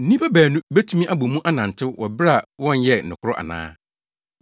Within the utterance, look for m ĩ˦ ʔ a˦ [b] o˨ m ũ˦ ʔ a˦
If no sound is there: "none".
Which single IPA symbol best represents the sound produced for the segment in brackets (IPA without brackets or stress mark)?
b